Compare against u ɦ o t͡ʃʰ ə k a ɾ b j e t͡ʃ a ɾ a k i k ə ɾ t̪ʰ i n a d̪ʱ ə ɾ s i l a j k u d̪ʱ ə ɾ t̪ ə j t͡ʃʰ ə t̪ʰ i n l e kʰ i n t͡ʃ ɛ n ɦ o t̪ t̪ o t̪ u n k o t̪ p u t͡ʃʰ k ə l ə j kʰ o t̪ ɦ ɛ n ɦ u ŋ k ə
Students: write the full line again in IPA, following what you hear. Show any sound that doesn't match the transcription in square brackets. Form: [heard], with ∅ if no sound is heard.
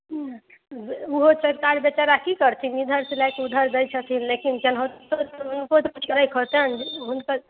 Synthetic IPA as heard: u ɦ o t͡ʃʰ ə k a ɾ b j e t͡ʃ a ɾ a k i k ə ɾ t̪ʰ i n [i] d̪ʱ ə ɾ s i l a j k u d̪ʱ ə ɾ [d̪] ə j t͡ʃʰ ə t̪ʰ i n l e [k] i n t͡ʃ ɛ n ɦ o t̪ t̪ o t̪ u n k o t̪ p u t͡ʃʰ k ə [ɾ] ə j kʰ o t̪ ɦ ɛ n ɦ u [n] k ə